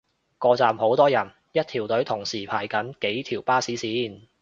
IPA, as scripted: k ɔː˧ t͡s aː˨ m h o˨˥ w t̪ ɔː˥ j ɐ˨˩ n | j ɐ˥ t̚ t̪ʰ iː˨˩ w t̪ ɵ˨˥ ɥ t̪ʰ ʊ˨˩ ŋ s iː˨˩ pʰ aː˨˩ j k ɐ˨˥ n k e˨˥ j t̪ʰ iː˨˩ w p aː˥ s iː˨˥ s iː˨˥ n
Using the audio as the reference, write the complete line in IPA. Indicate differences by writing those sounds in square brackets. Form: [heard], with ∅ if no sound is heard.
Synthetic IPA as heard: k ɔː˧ t͡s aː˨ m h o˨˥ w t̪ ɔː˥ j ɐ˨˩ n | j ɐ˥ t̚ t̪ʰ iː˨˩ w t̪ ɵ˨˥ ɥ t̪ʰ ʊ˨˩ ŋ s iː˨˩ pʰ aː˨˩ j k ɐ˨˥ n k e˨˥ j t̪ʰ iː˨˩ w p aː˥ s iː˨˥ s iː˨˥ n